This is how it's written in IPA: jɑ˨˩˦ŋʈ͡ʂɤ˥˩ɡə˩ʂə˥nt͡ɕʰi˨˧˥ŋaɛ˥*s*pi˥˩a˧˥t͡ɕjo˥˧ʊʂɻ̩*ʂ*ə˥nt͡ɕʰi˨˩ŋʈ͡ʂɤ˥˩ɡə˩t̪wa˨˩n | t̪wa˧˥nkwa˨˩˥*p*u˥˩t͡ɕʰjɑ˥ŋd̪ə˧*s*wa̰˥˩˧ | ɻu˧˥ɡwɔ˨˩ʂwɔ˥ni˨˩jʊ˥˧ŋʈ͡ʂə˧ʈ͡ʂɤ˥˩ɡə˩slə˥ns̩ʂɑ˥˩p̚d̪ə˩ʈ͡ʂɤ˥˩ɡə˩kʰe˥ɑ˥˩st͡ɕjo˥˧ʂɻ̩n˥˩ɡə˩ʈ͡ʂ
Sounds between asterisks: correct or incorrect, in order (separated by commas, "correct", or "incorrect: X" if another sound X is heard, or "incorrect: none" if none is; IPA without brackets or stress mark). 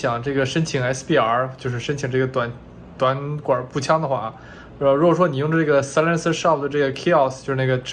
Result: correct, correct, correct, incorrect: x